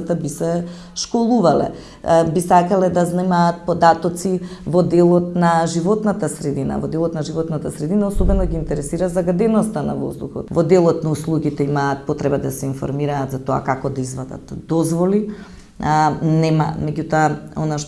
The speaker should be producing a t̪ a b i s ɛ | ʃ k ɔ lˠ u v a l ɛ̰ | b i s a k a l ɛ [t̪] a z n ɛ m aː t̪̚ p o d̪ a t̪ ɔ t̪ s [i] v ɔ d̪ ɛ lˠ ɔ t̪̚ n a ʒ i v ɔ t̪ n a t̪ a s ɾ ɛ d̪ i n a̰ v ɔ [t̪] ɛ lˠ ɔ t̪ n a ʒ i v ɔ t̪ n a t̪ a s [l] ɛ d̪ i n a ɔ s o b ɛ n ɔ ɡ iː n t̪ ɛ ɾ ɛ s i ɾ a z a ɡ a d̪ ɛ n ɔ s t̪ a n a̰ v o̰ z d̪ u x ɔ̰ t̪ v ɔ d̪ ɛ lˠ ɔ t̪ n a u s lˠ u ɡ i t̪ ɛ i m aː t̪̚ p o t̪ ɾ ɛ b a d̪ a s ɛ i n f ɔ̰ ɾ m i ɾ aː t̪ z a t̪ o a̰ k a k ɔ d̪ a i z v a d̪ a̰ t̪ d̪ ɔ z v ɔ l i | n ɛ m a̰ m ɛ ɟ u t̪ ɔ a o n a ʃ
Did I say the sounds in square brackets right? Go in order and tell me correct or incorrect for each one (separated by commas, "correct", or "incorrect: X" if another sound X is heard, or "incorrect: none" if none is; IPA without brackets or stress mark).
incorrect: d̪, correct, incorrect: d̪, incorrect: ɾ